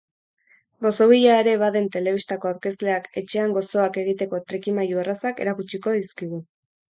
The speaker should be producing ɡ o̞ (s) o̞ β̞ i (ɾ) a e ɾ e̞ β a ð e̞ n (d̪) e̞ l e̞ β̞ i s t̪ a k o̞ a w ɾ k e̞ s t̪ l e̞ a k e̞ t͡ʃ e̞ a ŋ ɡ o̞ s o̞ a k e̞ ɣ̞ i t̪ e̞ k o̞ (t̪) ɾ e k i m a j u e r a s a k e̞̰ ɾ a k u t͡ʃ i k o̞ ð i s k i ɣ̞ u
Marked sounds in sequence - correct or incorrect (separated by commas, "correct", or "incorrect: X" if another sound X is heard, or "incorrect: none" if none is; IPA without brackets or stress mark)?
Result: correct, incorrect: ʎ, incorrect: t̪, correct